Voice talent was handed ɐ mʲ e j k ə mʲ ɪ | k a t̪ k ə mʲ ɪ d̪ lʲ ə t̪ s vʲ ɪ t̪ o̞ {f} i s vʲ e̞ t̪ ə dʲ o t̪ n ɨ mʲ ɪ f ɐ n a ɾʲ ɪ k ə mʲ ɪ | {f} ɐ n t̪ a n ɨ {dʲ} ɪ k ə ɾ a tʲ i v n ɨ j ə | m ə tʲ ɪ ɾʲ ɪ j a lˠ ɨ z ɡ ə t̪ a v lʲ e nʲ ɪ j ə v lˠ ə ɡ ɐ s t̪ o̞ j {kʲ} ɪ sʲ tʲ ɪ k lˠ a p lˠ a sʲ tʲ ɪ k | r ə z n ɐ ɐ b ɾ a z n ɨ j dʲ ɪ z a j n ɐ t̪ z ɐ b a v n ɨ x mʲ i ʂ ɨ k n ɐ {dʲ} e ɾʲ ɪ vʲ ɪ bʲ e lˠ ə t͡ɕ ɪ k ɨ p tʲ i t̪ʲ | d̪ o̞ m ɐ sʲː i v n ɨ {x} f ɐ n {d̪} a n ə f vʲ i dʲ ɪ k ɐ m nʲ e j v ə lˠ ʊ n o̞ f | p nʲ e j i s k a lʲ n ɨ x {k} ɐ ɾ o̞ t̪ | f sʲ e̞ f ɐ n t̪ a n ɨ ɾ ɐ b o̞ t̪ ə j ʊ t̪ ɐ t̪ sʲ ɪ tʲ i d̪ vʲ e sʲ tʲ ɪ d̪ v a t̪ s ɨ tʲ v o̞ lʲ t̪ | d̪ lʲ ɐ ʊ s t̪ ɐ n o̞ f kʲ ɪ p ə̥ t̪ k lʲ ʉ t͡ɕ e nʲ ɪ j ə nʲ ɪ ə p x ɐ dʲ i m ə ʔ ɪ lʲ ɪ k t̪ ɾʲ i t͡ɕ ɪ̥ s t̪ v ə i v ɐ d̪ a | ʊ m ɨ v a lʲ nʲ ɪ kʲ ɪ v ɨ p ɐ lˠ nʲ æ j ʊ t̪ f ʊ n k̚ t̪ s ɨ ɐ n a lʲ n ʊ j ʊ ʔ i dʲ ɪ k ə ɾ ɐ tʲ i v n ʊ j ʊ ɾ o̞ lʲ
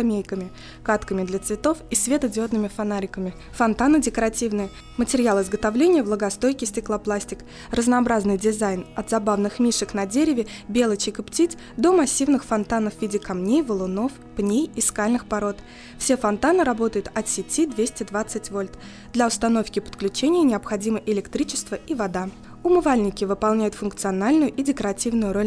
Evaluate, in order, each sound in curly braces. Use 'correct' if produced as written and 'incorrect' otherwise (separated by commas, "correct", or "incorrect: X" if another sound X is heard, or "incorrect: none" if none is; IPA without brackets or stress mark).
correct, correct, correct, correct, correct, correct, incorrect: t̪, incorrect: p